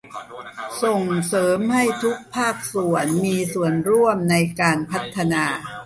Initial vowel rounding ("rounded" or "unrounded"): rounded